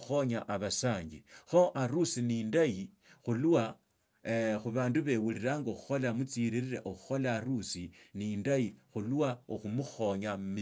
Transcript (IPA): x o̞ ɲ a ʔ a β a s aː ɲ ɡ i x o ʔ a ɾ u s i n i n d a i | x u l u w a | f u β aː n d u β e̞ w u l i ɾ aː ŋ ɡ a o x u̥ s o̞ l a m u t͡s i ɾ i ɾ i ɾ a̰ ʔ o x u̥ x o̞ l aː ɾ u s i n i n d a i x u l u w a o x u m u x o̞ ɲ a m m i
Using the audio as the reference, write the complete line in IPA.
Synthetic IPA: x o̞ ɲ a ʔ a β a s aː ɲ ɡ i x o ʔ a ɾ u s i n i n d a i | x u l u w a | x u β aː n d u β e̞ w u l i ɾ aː ŋ ɡ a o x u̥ x o̞ l a m u t͡s i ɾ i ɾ i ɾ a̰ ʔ o x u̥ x o̞ l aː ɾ u s i n i n d a i x u l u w a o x u m u x o̞ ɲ a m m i

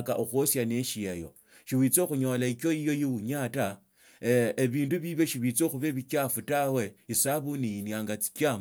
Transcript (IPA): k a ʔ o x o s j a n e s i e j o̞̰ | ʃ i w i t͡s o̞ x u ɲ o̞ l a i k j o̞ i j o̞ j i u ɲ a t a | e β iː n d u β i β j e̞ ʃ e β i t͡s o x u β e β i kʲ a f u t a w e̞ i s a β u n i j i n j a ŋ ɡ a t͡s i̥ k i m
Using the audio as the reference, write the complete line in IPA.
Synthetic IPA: k a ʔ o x o s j a n e ʃ i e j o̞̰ | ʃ i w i t͡s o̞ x u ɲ o̞ l a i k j o̞ i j o̞ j i u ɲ a t a | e β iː n d u β i β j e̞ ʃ i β i t͡s o x u β e β i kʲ a f u t a w e̞ i s a β u n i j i n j a ŋ ɡ a t͡s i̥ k a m

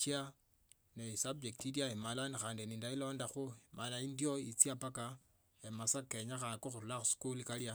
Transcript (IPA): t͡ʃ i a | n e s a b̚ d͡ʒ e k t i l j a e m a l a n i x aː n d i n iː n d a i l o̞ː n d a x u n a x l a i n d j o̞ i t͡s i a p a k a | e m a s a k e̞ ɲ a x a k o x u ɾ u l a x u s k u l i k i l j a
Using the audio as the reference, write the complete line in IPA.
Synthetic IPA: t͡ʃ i a | n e s a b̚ d͡ʒ e k t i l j a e m a l a n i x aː n d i n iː n d a i l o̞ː n d a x u m a l a i n d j o̞ i t͡s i a p a k a | e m a s a k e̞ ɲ a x a k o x u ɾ u l a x u s k u l i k a l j a

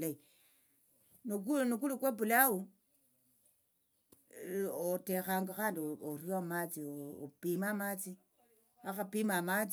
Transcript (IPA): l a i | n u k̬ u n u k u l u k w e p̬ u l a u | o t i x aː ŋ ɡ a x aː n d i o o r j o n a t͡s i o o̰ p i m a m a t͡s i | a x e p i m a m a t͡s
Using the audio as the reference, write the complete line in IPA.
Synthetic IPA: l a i | n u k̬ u n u k u l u k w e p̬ u l a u | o t e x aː ŋ ɡ a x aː n d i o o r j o m a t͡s i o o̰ p i m a m a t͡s i | a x a p i m a m a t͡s

